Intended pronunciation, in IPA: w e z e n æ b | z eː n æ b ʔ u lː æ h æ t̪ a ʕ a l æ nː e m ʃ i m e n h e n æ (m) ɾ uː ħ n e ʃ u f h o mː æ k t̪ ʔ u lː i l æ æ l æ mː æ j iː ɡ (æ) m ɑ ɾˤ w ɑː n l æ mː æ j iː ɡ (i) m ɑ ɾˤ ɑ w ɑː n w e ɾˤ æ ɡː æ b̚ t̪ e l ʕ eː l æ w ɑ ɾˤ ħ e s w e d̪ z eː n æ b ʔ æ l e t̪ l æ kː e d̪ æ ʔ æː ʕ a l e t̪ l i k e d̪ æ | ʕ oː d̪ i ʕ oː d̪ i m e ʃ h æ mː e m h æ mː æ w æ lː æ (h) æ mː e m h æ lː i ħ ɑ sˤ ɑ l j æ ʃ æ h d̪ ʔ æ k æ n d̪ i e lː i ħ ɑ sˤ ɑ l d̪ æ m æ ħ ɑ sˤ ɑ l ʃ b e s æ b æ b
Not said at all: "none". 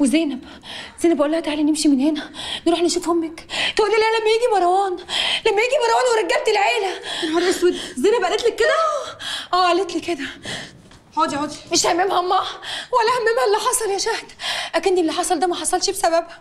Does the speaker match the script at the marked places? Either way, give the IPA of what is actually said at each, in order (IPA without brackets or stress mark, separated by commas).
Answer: n, i, i, h